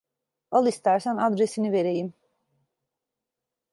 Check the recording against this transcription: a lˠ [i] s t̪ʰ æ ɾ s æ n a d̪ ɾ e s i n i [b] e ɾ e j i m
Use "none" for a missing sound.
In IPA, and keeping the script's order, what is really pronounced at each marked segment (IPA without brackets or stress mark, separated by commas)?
i, v